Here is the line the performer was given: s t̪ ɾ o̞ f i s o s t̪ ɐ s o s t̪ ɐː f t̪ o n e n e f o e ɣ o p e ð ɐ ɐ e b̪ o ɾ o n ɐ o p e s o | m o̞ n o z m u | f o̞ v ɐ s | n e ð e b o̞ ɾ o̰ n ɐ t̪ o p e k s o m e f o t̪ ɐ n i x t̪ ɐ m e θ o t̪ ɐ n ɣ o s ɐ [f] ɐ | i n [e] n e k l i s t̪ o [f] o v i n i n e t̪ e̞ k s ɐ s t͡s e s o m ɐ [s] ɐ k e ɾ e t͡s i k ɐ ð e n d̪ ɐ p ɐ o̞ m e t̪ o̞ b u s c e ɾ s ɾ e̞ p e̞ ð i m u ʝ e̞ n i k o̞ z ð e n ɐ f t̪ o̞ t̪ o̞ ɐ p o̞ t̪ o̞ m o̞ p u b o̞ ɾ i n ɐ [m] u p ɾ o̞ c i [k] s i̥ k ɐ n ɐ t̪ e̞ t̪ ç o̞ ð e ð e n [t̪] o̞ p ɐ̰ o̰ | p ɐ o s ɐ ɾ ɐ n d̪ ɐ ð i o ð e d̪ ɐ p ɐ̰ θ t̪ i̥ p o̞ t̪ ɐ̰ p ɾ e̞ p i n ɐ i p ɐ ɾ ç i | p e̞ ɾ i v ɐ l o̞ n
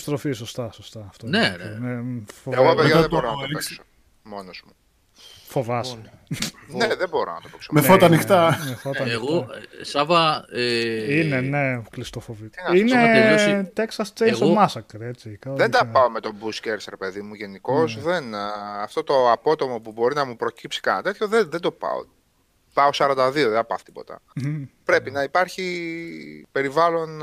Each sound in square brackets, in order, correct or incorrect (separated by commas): incorrect, correct, correct, correct, correct, incorrect, incorrect